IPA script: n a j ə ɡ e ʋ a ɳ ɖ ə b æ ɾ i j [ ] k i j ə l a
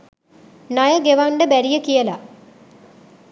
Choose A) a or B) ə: B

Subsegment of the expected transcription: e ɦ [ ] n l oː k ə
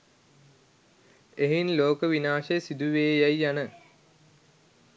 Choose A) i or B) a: A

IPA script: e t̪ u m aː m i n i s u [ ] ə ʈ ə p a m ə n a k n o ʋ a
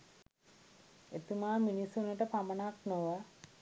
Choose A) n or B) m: A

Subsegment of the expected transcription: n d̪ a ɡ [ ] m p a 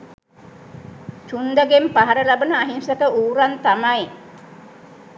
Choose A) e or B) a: A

